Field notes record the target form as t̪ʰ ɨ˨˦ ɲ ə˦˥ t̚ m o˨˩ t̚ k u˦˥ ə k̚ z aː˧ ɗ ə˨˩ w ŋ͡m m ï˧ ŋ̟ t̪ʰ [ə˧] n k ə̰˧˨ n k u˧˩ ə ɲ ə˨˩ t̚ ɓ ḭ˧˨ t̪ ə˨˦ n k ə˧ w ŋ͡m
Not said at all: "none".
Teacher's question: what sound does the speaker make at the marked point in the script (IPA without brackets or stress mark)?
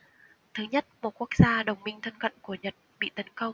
ə˧